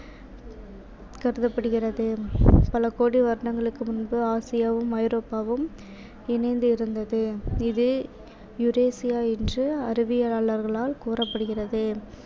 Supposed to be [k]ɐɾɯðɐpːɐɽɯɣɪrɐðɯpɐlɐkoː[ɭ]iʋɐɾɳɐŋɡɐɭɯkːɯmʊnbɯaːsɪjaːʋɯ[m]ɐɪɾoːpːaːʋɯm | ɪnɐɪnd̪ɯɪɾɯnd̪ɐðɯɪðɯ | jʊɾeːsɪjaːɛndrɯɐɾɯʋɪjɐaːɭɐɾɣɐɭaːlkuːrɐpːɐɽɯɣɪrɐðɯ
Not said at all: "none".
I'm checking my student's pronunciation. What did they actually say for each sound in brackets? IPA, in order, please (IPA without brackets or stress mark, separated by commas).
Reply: k, ɽ, m